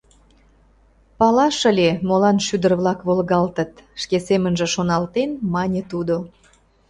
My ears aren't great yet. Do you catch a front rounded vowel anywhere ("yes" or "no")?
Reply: yes